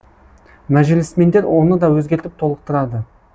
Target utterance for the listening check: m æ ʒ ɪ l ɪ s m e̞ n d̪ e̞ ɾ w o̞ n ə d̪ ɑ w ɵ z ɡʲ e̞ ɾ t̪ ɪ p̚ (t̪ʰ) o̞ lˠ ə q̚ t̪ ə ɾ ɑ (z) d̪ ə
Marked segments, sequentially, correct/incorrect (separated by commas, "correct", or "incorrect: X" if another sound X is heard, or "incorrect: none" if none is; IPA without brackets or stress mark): correct, incorrect: none